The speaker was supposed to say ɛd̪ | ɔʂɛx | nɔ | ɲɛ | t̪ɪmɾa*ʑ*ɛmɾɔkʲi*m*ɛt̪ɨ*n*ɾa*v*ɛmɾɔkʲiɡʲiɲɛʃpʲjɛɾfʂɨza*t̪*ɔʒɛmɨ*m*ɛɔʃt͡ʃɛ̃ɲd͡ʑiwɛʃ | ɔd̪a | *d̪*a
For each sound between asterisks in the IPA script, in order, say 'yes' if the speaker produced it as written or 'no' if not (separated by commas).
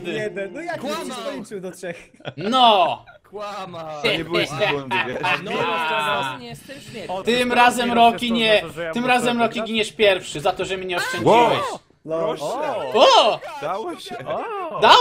no, no, no, no, yes, no, yes